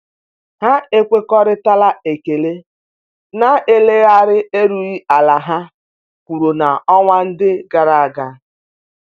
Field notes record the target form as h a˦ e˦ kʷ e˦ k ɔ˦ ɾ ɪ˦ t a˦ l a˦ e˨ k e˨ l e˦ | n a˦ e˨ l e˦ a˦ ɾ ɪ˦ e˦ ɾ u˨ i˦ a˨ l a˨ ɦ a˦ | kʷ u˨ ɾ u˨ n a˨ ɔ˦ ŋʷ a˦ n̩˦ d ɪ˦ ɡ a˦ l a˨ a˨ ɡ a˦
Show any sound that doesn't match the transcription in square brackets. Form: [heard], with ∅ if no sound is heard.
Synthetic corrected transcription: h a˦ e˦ kʷ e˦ k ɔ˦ ɾ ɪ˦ t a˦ l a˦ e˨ k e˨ l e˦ | n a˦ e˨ l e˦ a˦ ɾ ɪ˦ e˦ ɾ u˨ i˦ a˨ l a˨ ɦ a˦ | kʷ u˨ ɾ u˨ n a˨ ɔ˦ ŋʷ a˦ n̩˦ d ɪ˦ ɡ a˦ [ɾ] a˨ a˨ ɡ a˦